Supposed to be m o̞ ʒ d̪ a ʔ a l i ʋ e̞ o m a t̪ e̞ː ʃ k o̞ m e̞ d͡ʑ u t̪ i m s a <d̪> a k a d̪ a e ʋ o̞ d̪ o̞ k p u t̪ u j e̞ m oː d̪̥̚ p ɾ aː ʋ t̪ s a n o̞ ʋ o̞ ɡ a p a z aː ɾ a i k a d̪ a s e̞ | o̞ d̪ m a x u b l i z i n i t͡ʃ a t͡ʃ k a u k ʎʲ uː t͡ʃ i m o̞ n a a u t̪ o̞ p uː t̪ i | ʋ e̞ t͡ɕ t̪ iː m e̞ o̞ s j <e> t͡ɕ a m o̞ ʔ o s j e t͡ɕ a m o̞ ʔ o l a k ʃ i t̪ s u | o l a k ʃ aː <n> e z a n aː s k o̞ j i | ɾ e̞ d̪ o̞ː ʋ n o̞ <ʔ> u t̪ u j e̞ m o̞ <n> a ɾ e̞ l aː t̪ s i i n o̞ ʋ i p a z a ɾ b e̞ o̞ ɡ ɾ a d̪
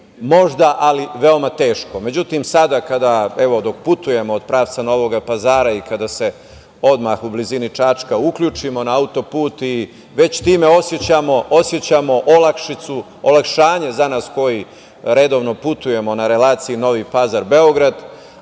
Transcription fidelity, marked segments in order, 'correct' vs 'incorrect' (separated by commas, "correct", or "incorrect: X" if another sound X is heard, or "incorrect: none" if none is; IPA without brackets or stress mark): correct, correct, incorrect: ɲ, incorrect: p, correct